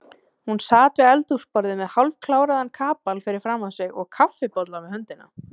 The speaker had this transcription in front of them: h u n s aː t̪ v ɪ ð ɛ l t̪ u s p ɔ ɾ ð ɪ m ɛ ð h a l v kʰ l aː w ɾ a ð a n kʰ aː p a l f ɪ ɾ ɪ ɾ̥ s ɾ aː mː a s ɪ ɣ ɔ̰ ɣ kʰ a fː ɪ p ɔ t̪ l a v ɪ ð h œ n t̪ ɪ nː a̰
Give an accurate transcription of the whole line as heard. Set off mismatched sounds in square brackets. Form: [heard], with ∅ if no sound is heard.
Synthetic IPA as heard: h u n s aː t̪ v ɪ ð ɛ l t̪ u s p ɔ ɾ ð ɪ m ɛ ð h a l v kʰ l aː w ɾ a ð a n kʰ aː p a l f ɪ ɾ ɪ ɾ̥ [f] ɾ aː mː a s ɪ ɣ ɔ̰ ɣ kʰ a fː ɪ p ɔ t̪ l a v ɪ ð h œ n t̪ ɪ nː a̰